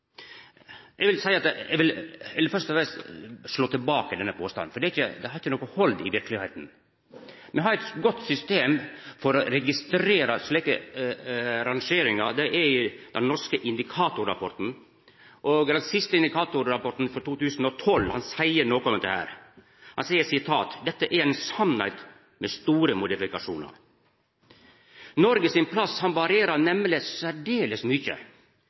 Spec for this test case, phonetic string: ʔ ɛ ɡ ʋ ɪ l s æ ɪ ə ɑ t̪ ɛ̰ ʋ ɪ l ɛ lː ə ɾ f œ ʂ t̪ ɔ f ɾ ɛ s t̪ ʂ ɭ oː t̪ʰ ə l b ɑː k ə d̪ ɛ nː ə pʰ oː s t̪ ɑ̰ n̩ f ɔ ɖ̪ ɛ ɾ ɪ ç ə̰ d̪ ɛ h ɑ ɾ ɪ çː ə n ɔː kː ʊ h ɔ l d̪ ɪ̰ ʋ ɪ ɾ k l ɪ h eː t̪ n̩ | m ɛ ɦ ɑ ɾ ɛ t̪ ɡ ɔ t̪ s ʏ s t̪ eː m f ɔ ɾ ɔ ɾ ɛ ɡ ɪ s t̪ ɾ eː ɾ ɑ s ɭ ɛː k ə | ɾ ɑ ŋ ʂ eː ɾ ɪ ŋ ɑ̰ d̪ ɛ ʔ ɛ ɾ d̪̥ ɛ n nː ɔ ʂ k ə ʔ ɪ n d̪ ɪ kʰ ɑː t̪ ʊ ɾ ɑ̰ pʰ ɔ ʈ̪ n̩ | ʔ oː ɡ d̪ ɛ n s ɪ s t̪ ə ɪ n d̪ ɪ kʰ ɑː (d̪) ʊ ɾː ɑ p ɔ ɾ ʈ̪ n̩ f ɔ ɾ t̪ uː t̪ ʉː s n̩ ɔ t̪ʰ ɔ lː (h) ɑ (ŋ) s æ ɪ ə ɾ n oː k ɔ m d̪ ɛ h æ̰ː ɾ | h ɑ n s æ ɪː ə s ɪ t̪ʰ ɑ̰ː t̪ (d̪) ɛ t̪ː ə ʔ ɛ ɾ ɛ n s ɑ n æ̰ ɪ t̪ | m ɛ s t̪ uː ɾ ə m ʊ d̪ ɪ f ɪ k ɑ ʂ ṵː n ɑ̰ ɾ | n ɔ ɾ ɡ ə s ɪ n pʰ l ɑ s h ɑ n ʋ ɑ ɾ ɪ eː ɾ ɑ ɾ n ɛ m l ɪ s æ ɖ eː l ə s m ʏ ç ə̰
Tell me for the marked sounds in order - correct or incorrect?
incorrect: t̪, correct, incorrect: n, correct

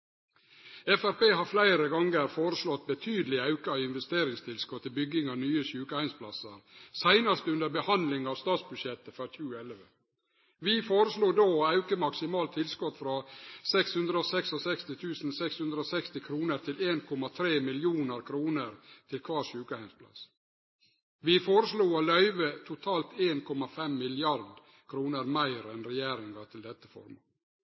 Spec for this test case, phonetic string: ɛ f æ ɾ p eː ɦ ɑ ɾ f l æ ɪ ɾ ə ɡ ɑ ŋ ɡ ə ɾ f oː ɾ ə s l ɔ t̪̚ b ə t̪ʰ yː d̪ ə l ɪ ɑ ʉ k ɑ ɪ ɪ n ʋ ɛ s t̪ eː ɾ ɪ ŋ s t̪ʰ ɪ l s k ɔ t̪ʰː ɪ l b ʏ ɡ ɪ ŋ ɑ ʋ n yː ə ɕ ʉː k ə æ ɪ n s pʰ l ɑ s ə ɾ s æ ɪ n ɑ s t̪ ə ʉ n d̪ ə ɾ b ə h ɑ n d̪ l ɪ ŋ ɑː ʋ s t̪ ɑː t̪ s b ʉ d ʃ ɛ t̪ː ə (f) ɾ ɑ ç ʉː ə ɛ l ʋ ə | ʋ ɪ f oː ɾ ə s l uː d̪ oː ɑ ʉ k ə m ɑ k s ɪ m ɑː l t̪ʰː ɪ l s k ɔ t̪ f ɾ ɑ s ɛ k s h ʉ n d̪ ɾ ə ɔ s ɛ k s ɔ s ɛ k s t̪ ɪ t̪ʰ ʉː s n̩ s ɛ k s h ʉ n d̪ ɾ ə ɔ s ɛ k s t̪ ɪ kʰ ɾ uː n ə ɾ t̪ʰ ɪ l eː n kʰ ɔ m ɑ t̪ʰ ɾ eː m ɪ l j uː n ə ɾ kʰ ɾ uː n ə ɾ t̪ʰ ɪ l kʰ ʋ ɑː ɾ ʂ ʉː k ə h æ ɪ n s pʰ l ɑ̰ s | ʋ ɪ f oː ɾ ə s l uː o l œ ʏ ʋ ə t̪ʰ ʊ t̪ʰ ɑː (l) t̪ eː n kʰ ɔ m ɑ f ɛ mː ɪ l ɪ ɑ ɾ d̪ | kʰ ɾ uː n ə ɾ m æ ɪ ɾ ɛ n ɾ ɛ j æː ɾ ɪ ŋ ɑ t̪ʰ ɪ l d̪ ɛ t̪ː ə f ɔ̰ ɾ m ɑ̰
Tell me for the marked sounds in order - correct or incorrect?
correct, correct

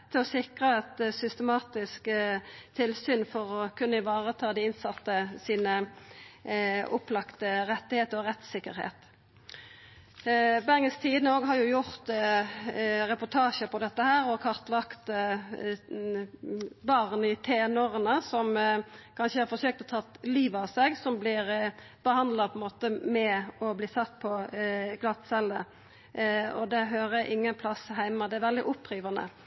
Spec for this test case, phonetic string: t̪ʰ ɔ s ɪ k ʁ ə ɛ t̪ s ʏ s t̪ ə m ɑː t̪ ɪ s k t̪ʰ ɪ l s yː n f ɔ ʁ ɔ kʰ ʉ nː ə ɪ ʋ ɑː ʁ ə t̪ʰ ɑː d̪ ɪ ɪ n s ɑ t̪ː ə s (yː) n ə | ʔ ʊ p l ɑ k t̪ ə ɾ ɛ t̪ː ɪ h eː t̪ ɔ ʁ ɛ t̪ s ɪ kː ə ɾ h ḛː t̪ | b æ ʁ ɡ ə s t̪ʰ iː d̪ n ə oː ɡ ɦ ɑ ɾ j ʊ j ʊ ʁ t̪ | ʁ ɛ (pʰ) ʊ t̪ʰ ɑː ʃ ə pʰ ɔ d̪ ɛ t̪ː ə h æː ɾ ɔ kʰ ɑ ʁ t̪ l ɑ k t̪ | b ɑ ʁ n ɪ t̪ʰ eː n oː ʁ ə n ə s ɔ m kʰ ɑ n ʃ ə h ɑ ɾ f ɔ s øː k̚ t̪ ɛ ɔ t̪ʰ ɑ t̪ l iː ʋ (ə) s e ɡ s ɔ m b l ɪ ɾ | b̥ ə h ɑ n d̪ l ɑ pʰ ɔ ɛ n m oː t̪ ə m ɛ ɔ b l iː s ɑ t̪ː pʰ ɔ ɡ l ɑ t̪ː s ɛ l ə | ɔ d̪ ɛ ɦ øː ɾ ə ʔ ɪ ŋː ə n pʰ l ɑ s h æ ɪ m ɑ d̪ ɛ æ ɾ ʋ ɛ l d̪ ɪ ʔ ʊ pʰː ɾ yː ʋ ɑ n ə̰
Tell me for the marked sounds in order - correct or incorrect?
incorrect: iː, incorrect: p, incorrect: ɑ

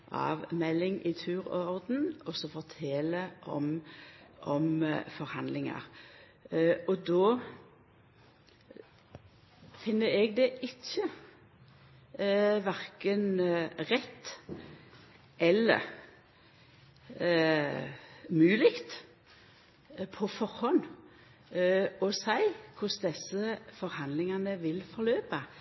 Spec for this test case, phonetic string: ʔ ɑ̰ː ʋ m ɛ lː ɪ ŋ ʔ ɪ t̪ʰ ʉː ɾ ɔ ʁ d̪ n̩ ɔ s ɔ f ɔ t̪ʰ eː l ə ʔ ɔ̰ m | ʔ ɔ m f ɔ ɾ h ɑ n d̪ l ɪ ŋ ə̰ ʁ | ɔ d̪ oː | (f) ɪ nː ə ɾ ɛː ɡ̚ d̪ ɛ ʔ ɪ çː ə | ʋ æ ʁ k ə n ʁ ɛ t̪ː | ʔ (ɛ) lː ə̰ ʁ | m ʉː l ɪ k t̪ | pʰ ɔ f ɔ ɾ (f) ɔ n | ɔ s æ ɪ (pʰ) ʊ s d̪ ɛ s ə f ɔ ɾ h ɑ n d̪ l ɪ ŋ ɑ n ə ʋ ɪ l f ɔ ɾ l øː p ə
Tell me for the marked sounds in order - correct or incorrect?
correct, correct, incorrect: h, incorrect: kʰ

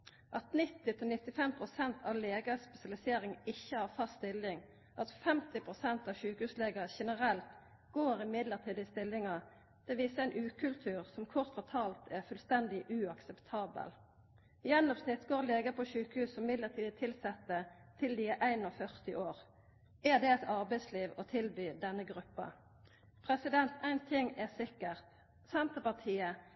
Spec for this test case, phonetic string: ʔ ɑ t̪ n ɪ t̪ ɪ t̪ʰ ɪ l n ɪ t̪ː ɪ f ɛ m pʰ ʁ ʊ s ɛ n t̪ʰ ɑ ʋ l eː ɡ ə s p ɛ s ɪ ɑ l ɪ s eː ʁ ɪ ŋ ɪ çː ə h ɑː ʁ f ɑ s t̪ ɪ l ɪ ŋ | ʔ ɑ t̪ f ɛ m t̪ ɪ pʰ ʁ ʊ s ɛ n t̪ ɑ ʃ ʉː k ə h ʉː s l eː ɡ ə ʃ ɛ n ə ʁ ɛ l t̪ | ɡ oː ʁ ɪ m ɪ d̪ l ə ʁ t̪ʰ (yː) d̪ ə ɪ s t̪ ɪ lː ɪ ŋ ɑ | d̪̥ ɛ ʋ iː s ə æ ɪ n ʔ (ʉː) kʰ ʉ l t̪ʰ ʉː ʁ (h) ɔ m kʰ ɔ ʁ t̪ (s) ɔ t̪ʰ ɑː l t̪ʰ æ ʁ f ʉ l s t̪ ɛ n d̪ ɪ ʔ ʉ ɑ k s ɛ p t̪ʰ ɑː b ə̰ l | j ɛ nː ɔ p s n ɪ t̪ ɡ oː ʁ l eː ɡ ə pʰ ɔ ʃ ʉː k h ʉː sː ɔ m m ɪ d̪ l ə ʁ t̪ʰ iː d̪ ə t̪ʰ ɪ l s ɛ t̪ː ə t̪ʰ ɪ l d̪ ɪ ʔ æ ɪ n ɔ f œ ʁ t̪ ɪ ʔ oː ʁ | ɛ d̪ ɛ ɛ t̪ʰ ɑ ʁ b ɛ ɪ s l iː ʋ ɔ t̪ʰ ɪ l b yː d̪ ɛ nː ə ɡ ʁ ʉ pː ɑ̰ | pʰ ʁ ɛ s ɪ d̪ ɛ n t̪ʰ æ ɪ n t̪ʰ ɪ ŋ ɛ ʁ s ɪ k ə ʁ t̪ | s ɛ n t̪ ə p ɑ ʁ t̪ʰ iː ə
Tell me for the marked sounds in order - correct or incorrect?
incorrect: iː, correct, incorrect: s, incorrect: f

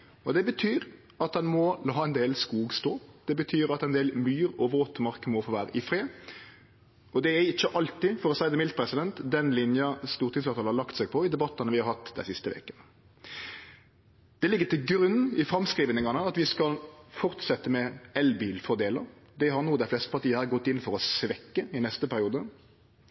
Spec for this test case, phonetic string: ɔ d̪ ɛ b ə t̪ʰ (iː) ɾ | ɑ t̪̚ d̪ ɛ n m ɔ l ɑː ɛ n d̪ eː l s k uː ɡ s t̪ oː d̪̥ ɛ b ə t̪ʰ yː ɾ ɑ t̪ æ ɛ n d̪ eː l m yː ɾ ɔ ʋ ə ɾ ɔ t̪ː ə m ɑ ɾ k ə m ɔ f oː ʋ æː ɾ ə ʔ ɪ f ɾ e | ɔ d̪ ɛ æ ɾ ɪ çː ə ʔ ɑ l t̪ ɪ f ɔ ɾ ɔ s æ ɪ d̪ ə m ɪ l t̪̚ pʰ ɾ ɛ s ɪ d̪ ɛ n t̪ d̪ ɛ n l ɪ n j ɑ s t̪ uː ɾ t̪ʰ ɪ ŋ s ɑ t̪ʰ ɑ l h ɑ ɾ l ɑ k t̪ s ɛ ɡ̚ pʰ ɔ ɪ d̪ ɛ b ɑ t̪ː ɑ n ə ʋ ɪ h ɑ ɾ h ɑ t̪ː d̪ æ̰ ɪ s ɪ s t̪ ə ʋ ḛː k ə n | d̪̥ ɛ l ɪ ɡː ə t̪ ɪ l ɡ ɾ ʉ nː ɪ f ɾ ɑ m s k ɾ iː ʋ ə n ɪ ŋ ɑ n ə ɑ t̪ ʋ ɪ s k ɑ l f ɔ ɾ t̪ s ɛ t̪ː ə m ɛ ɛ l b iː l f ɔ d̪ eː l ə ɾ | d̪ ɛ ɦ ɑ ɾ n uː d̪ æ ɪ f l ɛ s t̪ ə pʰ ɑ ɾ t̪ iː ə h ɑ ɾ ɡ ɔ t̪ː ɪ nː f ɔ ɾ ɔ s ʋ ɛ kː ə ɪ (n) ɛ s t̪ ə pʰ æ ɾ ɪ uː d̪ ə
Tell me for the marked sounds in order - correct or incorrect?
incorrect: yː, correct

